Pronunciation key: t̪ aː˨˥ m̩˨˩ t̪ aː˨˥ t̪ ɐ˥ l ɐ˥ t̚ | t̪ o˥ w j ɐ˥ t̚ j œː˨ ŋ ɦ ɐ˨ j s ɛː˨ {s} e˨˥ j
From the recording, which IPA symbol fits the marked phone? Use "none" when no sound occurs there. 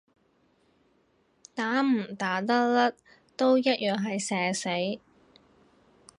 s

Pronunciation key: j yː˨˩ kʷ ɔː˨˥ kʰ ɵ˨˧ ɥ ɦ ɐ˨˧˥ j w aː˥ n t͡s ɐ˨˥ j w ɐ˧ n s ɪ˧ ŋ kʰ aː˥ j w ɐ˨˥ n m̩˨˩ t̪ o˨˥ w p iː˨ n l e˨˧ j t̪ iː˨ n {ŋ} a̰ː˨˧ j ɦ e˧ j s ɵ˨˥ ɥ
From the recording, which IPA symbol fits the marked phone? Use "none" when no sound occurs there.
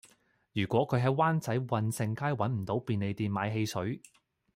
m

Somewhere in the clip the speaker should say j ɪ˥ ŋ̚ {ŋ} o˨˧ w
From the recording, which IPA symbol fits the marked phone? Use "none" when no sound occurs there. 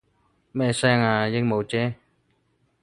m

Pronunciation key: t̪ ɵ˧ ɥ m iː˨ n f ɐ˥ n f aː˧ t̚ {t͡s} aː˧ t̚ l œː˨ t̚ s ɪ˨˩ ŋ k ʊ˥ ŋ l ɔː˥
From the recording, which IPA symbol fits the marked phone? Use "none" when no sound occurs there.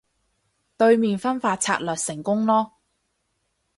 t͡sʰ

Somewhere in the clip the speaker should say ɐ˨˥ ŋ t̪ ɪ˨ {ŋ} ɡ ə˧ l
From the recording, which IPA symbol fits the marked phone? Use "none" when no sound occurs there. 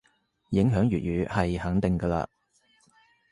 ŋ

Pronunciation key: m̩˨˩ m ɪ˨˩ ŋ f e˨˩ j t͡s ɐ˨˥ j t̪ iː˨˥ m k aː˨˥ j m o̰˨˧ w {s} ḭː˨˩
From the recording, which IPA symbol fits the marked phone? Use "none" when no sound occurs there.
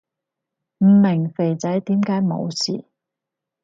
s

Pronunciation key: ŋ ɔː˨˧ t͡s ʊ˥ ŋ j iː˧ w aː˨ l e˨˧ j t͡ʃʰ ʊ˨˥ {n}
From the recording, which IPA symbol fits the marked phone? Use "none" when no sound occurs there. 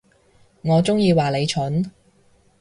n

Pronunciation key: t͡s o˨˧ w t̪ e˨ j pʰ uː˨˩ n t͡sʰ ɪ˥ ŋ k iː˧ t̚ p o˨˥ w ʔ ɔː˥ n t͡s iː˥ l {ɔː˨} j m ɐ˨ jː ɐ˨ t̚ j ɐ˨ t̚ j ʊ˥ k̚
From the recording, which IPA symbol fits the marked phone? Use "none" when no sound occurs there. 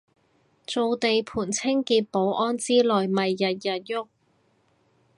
ɔː˨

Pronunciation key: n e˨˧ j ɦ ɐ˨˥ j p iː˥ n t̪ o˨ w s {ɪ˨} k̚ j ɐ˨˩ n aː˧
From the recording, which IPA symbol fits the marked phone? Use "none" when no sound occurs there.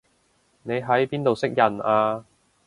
ɪ˥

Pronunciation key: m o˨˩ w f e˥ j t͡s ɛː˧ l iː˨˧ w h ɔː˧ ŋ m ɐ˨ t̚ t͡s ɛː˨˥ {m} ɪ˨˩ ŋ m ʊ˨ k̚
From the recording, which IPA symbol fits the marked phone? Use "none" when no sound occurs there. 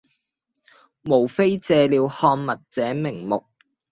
m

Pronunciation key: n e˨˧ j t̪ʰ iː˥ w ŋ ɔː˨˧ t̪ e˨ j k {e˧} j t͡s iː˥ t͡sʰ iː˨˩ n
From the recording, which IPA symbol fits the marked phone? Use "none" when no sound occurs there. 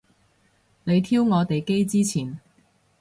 e˥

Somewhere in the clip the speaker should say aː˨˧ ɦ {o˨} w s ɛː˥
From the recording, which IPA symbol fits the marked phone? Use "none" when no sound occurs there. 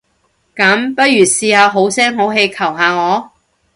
o˨˥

